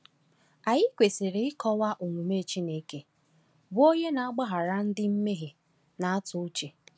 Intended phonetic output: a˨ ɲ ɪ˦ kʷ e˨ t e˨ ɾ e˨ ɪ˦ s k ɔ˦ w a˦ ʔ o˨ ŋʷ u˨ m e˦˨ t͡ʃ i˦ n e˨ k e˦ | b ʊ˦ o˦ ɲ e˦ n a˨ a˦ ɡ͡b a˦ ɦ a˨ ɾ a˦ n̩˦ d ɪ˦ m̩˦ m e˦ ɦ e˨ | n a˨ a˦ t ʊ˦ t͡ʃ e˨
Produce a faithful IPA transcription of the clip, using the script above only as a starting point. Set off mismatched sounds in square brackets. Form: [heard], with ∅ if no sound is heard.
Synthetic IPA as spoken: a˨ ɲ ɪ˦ kʷ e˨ [s] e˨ ɾ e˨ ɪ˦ [∅] k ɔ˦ w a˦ ʔ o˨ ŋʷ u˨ m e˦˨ t͡ʃ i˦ n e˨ k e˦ | b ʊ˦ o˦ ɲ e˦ n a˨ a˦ ɡ͡b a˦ ɦ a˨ ɾ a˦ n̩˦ d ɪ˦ m̩˦ m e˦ ɦ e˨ | n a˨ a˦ t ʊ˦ t͡ʃ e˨